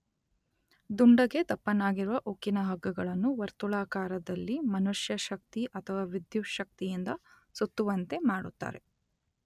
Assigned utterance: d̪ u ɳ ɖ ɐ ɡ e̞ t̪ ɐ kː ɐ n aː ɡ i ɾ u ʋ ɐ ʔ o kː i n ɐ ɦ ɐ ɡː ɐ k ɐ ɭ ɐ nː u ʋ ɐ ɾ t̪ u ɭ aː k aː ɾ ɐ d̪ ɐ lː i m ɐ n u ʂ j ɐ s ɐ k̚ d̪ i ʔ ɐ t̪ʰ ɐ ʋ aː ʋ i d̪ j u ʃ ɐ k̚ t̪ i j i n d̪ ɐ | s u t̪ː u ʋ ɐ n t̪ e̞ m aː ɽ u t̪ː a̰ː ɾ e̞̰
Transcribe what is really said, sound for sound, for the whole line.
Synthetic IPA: d̪ u ɳ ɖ ɐ ɡ e̞ t̪ ɐ pː ɐ n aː ɡ i ɾ u ʋ ɐ ʔ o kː i n ɐ ɦ ɐ ɡː ɐ ɡ ɐ ɭ ɐ nː u ʋ ɐ ɾ t̪ u ɭ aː k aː ɾ ɐ d̪ ɐ lː i m ɐ n u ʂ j ɐ ʃ ɐ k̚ t̪ i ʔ ɐ t̪ʰ ɐ ʋ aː ʋ i d̪ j u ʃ ɐ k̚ t̪ i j i n d̪ ɐ | s u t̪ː u ʋ ɐ n t̪ e̞ m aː ɽ u t̪ː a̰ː ɾ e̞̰